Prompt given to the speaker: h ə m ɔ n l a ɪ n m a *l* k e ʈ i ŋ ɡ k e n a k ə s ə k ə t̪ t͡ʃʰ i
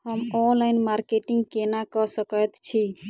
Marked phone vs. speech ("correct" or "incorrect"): incorrect